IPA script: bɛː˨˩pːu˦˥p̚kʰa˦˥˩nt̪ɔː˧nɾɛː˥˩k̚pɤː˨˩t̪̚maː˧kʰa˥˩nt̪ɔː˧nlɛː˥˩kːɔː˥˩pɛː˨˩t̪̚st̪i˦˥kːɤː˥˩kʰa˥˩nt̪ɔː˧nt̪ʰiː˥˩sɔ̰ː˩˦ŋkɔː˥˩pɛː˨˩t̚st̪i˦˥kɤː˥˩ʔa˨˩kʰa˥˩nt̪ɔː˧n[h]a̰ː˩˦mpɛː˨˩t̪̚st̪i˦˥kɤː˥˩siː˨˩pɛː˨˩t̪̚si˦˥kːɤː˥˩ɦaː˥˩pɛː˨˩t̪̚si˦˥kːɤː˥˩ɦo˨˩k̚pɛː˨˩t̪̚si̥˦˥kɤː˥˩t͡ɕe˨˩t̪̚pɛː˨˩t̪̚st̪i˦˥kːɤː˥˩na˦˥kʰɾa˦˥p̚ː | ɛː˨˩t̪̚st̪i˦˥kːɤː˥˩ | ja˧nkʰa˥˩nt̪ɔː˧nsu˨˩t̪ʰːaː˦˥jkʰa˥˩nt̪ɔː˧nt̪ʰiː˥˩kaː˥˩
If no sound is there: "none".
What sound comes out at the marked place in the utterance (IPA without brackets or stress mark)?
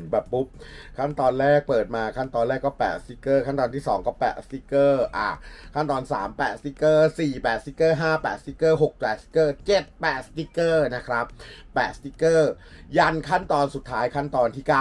s